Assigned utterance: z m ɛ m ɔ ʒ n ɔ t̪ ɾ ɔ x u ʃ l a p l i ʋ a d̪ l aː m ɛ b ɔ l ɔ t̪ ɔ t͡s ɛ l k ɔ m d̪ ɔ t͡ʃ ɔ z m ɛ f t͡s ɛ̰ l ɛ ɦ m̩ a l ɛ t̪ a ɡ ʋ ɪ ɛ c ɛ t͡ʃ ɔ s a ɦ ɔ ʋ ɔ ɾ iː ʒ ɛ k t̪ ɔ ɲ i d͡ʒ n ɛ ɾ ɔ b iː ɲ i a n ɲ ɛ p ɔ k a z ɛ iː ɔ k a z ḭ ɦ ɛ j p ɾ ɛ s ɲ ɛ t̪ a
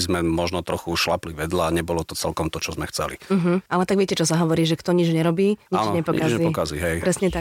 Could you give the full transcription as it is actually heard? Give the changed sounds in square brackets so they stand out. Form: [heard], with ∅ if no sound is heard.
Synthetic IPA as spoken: z m ɛ m ɔ ʒ n ɔ t̪ ɾ ɔ x u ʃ l a p l i ʋ [ɛ] d̪ l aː [ɲ] ɛ b ɔ l ɔ t̪ ɔ t͡s ɛ l k ɔ m [t̪] ɔ t͡ʃ ɔ z m ɛ [x] t͡s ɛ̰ l [i] ɦ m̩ a l ɛ t̪ a ɡ ʋ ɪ ɛ c ɛ t͡ʃ ɔ s a ɦ ɔ ʋ ɔ ɾ iː ʒ ɛ k t̪ ɔ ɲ i d͡ʒ [ɲ] ɛ ɾ ɔ b iː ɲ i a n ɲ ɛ p ɔ k a z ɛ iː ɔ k a z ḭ ɦ ɛ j p ɾ ɛ s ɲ ɛ t̪ a